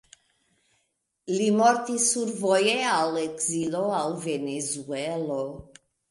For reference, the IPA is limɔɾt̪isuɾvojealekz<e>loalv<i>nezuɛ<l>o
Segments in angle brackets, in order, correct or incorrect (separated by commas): incorrect, incorrect, correct